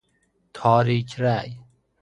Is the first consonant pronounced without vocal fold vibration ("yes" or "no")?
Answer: yes